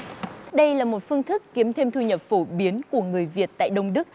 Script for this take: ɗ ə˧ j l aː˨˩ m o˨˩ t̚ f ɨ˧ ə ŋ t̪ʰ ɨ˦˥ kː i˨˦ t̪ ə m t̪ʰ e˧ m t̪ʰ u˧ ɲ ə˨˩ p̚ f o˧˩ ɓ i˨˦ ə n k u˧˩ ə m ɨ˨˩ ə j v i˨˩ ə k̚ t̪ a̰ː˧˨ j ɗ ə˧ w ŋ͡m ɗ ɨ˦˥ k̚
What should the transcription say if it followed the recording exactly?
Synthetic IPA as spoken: ɗ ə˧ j l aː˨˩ m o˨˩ t̚ f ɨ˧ ə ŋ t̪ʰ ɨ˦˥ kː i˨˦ ə m t̪ʰ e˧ m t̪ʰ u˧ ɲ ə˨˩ p̚ f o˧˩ ɓ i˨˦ ə n k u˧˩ ə ŋ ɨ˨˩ ə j v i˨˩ ə t̚ t̪ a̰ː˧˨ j ɗ ə˧ w ŋ͡m ɗ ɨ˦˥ k̚